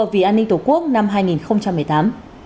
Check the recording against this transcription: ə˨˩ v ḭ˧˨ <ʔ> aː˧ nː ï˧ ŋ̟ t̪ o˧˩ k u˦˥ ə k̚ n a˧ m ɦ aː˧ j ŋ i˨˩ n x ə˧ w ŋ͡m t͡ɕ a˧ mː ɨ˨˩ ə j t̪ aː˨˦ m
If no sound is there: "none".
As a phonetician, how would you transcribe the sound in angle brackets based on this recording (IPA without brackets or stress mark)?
ʔ